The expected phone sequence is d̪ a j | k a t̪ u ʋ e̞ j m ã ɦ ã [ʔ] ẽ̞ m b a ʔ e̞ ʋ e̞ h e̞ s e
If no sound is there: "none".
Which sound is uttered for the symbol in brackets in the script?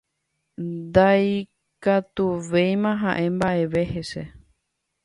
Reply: ʔ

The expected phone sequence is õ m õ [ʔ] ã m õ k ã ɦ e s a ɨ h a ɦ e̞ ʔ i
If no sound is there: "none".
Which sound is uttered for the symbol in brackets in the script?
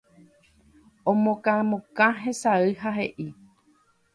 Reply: k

